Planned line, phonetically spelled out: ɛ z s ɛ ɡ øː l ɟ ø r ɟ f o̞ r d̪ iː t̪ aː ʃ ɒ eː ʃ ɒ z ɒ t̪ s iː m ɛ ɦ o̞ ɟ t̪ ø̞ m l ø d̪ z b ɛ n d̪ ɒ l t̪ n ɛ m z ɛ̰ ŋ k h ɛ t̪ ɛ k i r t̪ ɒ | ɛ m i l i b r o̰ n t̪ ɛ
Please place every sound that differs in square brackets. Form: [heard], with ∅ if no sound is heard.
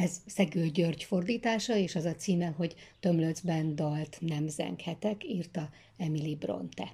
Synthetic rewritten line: ɛ z s ɛ ɡ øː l ɟ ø r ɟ f o̞ r d̪ iː t̪ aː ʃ ɒ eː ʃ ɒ z ɒ t̪ s iː m ɛ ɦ o̞ ɟ t̪ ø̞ m l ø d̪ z b ɛ n d̪ ɒ l t̪ n ɛ m z ɛ̰ ŋ k h ɛ t̪ ɛ k i r t̪ ɒ | ɛ m i l i b r o̰ n t̪ ɛ